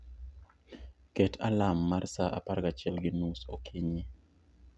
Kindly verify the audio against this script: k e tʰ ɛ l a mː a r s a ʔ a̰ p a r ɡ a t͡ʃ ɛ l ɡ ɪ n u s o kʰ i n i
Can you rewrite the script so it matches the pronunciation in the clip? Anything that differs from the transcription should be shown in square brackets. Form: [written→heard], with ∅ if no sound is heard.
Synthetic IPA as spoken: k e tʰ [ɛ→a] l a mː a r s a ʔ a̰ p a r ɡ a t͡ʃ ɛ l ɡ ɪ n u s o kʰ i [n→ɲ] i

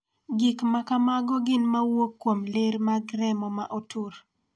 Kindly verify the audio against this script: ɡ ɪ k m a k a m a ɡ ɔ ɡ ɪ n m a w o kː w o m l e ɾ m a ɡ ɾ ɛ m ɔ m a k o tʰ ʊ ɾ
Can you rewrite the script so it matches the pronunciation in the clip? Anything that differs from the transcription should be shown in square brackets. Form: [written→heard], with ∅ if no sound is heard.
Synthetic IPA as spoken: ɡ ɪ k m a k a m a ɡ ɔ ɡ ɪ n m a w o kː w o m l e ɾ m a ɡ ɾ ɛ m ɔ m a [k→ʔ] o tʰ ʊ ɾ

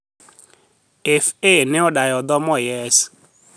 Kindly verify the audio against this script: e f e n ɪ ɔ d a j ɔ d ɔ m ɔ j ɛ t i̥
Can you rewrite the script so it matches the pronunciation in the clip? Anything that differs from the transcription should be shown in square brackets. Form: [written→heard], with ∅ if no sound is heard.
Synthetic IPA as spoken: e f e n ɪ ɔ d a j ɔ d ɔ m ɔ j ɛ [t→s] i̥

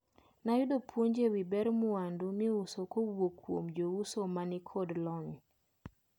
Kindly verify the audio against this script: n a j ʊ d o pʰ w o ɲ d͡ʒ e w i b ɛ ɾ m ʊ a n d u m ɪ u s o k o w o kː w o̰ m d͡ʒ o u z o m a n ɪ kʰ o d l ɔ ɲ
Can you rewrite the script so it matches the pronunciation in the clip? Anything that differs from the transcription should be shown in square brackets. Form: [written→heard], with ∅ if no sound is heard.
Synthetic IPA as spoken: n a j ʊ d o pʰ w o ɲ d͡ʒ e w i b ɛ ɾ m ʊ a n d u m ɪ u s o k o w o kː w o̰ m d͡ʒ o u [z→s] o m a n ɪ kʰ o d l ɔ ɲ

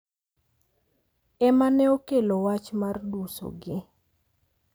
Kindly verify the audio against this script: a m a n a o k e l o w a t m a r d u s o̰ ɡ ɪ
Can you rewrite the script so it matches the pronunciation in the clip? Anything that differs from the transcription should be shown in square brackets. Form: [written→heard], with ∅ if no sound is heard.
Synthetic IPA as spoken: [a→ɛ] m a n [a→ɛ] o k e l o w a [t→t͡ʃ] m a r d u s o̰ ɡ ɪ

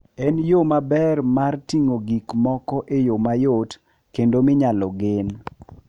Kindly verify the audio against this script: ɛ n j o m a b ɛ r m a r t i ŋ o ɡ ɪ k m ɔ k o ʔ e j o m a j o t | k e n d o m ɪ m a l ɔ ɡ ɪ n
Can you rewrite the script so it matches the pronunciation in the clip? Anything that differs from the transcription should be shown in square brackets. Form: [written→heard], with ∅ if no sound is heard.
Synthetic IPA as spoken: ɛ n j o m a b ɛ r m a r t i ŋ o ɡ [ɪ→i] k m ɔ k [o→ɔ] ʔ e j o m a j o t | k e n d o m ɪ [m→ɲ] a l ɔ ɡ ɪ n

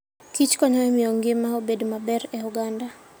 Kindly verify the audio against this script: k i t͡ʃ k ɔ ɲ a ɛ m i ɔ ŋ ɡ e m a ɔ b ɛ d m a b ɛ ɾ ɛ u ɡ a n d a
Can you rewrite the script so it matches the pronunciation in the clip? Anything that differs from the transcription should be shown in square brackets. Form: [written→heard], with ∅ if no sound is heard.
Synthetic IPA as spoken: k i t͡ʃ k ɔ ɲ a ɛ m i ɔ ŋ ɡ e m a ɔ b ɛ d m a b ɛ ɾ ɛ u ɡ a n d a

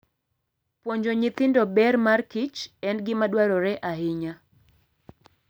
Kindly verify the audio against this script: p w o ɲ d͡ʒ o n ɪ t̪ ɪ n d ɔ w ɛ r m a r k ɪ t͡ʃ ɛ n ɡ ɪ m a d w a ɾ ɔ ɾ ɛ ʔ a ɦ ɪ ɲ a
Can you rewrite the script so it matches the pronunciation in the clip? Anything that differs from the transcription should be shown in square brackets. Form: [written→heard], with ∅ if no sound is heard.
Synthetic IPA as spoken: p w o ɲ d͡ʒ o [n→ɲ] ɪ t̪ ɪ n d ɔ [w→b] ɛ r m a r k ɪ t͡ʃ ɛ n ɡ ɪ m a d w a ɾ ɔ ɾ ɛ ʔ a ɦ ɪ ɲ a

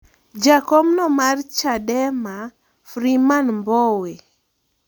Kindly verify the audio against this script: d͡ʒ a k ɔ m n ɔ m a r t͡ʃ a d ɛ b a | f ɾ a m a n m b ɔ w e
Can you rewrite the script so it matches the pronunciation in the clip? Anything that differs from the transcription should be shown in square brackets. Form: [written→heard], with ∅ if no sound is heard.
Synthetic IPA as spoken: d͡ʒ a k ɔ m n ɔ m a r t͡ʃ a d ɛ [b→m] a | f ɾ [a→i] m a n m b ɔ w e

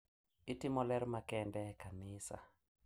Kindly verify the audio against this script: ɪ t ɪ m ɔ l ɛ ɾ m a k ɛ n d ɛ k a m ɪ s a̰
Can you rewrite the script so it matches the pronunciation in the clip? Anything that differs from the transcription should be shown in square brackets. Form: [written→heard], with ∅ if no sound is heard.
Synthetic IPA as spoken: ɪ t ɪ m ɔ l ɛ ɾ m a k ɛ n d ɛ k a [m→n] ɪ s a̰

